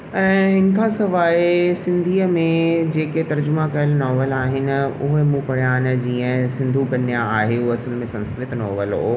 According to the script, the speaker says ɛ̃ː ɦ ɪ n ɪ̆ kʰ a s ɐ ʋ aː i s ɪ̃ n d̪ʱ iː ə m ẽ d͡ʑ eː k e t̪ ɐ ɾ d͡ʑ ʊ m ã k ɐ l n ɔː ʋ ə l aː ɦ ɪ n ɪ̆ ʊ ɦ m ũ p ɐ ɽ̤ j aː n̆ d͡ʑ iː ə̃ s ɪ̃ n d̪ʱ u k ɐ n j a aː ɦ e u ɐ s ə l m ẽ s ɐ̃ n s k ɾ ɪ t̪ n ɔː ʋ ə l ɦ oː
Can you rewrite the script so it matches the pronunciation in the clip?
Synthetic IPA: ɛ̃ː ɦ ɪ n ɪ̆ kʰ a s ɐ ʋ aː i s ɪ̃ n d̪ʱ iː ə m ẽ d͡ʑ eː k e t̪ ɐ ɾ d͡ʑ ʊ m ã k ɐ l n ɔː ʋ ə l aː ɦ ɪ n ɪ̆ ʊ ɦ m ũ p ɐ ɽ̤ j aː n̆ d͡ʑ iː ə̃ s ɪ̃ n d̪ʱ u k ɐ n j a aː ɦ e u ɐ s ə l m ẽ s ɐ̃ n s k ɾ ɪ t̪ n ɔː ʋ ə l ɦ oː